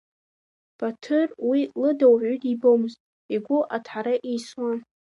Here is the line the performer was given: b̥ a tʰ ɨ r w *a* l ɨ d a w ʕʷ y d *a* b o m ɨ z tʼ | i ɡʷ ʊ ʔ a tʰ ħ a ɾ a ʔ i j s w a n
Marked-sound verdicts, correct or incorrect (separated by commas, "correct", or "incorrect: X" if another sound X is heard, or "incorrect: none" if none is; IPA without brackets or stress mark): incorrect: i, incorrect: i